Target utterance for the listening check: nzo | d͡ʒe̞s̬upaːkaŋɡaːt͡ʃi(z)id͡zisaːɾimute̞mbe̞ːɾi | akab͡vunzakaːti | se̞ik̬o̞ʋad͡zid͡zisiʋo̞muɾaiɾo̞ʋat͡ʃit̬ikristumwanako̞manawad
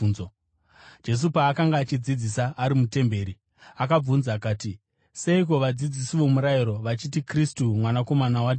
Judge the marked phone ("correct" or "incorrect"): incorrect